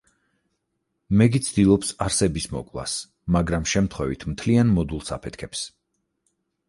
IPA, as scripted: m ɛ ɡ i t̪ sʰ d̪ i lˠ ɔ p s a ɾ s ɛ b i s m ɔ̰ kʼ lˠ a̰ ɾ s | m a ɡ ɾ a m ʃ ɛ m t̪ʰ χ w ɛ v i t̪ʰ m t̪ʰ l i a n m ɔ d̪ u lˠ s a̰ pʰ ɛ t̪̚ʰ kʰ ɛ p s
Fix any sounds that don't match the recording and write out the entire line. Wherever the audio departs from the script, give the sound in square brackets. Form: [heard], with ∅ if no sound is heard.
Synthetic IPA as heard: m ɛ ɡ i t̪ sʰ d̪ i lˠ ɔ p s a ɾ s ɛ b i s m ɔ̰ kʼ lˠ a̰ [∅] s | m a ɡ ɾ a m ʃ ɛ m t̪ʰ χ w ɛ v i t̪ʰ m t̪ʰ l i a n m ɔ d̪ u lˠ s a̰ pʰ ɛ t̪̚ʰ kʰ ɛ p s